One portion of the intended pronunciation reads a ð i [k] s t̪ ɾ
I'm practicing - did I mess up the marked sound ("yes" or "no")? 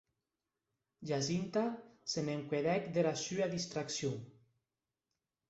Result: yes